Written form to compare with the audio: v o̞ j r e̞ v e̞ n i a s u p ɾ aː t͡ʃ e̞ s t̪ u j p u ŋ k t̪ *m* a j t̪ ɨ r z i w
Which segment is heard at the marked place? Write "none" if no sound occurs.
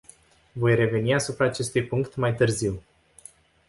m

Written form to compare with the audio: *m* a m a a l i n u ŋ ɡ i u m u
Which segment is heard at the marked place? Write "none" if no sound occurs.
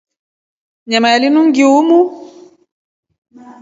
ɲ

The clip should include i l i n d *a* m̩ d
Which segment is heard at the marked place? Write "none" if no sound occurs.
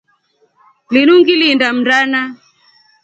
a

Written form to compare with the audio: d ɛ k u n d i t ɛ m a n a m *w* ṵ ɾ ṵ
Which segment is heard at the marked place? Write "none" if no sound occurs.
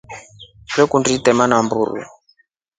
b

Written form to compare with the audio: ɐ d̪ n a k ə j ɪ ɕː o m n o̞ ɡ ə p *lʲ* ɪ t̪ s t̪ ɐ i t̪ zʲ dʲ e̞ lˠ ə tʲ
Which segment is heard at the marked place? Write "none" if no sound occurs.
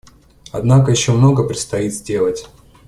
ɾʲ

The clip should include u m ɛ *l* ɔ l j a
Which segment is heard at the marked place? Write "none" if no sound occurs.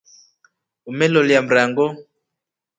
l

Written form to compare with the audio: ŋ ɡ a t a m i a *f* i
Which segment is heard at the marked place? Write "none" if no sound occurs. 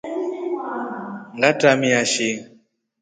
ʃ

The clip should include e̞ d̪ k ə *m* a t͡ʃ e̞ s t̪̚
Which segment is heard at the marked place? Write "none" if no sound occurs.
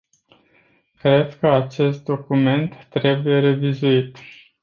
none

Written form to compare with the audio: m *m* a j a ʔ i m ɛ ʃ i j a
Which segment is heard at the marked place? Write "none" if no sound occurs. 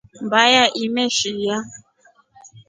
b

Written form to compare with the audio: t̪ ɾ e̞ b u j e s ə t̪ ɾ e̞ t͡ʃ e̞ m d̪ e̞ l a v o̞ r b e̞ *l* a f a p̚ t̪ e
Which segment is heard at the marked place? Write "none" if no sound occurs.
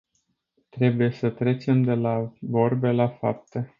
l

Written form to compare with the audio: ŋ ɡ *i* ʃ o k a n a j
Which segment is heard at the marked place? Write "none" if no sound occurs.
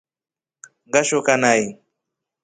a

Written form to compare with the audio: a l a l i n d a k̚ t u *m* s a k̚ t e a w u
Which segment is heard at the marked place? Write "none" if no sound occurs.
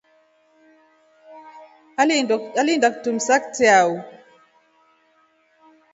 m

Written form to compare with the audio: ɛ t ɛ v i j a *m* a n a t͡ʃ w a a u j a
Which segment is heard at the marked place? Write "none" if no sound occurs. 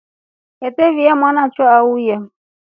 m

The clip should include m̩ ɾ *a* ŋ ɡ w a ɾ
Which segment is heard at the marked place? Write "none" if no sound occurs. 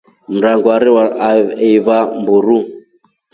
a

